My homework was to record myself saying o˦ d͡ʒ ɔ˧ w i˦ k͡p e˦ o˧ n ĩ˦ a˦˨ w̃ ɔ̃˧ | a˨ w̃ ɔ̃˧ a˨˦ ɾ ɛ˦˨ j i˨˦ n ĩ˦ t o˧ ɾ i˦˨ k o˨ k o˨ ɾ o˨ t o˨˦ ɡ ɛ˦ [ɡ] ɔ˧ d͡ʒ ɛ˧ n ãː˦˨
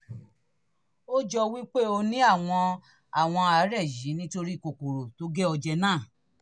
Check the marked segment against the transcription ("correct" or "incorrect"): incorrect